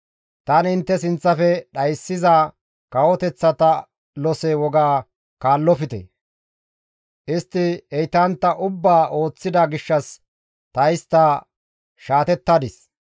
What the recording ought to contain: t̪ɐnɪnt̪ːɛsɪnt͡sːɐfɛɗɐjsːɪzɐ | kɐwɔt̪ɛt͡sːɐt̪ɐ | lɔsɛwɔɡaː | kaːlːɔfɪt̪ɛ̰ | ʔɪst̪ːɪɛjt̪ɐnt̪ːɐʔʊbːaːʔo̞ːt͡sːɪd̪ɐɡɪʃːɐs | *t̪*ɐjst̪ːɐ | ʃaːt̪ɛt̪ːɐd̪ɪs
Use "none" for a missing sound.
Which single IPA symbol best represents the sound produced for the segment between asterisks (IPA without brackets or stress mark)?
t̪